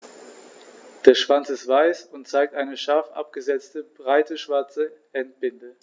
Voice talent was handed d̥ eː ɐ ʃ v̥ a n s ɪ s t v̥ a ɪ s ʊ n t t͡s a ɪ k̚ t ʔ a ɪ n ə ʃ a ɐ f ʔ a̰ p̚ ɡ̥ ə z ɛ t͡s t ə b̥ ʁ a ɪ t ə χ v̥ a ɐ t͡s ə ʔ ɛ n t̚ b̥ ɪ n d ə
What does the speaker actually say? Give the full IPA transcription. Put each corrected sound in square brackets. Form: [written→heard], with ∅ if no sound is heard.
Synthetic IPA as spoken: d̥ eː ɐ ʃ v̥ a n [s→t͡s] ɪ s t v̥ a ɪ s ʊ n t t͡s a ɪ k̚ t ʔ a ɪ n ə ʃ a ɐ f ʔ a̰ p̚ ɡ̥ ə z ɛ t͡s t ə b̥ ʁ a ɪ t ə [χ→ʃ] v̥ a ɐ t͡s ə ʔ ɛ n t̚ b̥ ɪ n d ə